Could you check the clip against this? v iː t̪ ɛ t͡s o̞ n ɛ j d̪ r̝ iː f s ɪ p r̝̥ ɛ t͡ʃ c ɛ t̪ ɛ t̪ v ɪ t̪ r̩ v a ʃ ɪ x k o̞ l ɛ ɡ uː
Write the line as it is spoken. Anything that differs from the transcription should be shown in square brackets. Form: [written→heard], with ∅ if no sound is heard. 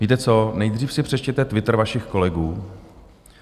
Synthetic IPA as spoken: v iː t̪ ɛ t͡s o̞ n ɛ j d̪ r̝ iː f s ɪ p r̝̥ ɛ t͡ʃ c ɛ t̪ ɛ t̪ v ɪ t̪ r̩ v a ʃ ɪ x k o̞ l ɛ ɡ uː